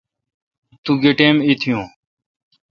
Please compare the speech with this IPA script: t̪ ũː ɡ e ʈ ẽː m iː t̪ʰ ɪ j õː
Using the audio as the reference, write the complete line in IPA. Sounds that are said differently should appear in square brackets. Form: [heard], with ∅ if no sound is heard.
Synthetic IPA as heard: t̪ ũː ɡ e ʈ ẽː m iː t̪ʰ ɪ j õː